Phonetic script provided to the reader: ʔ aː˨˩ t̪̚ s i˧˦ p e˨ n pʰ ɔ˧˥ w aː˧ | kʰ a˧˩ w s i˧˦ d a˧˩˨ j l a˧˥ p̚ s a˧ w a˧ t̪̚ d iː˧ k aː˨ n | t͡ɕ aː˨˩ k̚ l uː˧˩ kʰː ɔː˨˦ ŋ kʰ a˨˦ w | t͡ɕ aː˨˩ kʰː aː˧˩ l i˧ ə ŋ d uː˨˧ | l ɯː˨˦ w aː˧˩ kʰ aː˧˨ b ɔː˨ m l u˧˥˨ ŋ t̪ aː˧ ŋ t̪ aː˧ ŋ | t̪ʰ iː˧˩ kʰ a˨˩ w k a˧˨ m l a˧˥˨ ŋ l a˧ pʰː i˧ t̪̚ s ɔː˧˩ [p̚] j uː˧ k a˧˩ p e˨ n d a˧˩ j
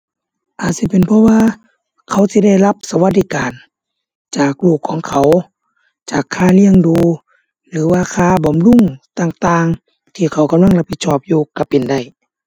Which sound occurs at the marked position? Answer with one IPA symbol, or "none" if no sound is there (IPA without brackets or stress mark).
p̚